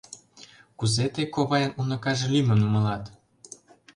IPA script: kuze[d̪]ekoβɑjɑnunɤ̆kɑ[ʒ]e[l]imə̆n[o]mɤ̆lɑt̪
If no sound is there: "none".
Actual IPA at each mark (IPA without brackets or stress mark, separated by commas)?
t̪, ʒ, l, u